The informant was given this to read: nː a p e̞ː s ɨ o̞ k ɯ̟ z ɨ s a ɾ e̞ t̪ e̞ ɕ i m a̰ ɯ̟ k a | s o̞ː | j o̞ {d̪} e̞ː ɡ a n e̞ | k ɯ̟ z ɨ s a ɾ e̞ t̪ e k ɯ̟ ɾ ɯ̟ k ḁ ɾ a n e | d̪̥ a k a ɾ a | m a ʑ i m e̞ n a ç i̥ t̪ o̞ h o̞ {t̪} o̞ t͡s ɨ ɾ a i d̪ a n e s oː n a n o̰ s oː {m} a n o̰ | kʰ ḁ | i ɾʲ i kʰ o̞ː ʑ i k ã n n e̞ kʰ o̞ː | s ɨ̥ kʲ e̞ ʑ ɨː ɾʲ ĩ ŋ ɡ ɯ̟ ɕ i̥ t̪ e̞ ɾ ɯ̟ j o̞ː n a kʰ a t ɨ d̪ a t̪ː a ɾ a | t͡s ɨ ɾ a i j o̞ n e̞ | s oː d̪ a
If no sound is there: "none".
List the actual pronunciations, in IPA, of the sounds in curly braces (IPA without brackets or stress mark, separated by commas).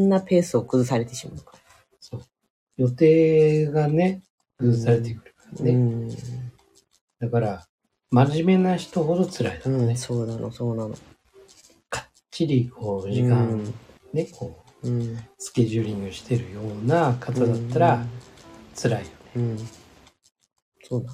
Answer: t̪, d̪, n